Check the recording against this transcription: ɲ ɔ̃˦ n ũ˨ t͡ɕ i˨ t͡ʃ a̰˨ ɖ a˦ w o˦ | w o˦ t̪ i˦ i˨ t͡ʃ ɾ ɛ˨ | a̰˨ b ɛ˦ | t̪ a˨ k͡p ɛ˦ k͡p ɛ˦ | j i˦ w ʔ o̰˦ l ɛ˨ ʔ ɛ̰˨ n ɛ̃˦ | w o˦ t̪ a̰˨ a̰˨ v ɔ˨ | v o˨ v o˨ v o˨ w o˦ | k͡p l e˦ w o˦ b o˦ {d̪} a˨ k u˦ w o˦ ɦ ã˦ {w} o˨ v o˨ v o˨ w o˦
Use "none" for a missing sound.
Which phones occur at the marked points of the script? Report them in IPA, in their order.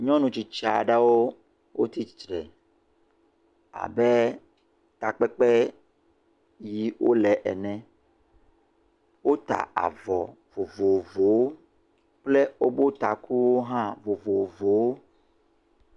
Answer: t̪, v

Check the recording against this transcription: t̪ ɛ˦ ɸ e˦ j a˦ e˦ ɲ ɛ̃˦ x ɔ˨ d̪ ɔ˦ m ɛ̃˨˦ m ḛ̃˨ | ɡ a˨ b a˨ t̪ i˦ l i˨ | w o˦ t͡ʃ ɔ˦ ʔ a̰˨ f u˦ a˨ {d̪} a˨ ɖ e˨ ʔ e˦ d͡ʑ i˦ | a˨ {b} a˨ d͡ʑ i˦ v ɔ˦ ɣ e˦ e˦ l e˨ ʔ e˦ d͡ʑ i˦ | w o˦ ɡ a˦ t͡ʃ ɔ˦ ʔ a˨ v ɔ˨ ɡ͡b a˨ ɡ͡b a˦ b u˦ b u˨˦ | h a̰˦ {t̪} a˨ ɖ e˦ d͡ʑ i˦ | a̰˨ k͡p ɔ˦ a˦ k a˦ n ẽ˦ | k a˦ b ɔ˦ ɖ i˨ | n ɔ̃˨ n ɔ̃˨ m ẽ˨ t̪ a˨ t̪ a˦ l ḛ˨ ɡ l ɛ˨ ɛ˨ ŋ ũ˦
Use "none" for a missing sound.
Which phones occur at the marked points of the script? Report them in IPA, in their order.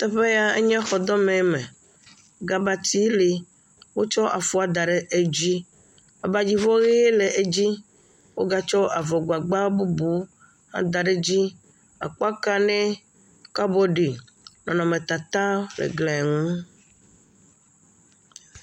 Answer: d̪, b, d̪

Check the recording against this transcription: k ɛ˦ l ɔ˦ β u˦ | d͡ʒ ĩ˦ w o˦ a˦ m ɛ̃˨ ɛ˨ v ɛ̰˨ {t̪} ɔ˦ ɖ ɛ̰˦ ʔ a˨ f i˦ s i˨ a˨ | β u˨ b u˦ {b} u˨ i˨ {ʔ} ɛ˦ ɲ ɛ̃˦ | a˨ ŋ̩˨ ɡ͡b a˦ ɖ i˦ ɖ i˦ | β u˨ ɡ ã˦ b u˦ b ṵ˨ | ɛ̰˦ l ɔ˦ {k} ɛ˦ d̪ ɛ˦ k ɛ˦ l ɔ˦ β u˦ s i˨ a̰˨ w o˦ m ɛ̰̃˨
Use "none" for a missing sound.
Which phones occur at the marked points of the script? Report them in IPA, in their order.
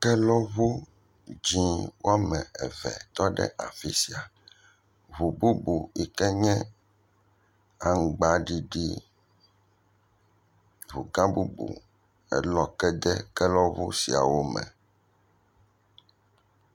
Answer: t̪, b, k, k

